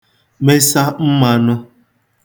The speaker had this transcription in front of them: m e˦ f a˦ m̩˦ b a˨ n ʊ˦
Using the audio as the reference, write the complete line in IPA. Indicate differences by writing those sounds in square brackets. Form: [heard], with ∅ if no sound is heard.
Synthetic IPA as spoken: m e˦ [s] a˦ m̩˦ [m] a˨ n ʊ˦

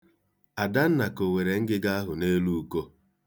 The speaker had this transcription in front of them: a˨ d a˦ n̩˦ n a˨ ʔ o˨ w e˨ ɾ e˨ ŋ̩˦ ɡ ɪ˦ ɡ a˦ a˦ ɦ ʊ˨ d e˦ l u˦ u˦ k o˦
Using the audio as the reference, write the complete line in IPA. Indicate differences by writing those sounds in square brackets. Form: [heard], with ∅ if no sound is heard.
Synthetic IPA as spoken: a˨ d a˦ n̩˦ n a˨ [k] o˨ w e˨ ɾ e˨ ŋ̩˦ ɡ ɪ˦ ɡ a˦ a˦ ɦ ʊ˨ [n] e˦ l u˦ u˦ k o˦

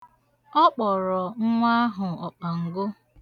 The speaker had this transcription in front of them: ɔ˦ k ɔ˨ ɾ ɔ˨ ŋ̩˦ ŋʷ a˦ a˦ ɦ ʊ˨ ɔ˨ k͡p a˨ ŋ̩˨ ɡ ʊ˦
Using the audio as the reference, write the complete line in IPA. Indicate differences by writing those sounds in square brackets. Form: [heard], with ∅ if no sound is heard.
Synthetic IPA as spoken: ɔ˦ [k͡p] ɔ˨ ɾ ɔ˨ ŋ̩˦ ŋʷ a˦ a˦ ɦ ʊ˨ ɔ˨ k͡p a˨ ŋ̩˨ ɡ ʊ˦

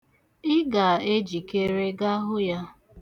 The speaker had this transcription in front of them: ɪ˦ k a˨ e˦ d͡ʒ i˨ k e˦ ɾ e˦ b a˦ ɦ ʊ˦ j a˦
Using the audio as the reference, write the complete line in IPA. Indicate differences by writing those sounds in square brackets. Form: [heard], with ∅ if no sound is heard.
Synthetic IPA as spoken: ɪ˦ [ɡ] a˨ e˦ d͡ʒ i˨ k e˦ ɾ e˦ [ɡ] a˦ ɦ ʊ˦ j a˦

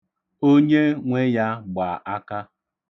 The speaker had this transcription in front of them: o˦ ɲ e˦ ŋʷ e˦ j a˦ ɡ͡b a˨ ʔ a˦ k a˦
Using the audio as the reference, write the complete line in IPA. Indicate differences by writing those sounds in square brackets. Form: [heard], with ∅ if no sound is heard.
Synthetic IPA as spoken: o˦ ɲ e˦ ŋʷ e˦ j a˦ ɡ͡b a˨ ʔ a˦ k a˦

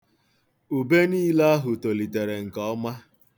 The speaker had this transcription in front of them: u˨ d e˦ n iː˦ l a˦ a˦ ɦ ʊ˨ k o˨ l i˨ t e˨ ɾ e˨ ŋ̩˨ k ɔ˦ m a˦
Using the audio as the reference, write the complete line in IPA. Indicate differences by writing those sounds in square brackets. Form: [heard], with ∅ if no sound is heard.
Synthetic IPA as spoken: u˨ [b] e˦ n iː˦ l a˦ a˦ ɦ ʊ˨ [t] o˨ l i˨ t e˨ ɾ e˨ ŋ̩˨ k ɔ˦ m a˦

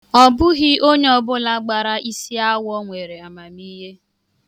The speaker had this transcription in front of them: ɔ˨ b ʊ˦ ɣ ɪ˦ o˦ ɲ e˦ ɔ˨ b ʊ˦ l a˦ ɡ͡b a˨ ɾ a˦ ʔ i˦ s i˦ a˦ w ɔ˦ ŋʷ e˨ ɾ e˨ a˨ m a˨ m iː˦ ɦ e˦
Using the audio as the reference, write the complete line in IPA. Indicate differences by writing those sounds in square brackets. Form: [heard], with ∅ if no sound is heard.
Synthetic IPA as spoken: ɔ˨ b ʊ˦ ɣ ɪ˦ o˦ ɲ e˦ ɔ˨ b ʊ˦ l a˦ ɡ͡b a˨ ɾ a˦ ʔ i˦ s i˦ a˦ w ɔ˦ ŋʷ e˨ ɾ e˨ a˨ m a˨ m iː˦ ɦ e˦

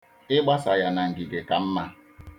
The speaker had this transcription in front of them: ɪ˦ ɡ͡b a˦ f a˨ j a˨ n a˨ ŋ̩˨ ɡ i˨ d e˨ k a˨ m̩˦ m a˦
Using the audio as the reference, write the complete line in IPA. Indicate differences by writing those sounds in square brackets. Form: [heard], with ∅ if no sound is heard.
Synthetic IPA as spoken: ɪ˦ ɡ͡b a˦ [s] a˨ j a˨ n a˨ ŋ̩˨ ɡ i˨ [ɡ] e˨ k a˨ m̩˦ m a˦

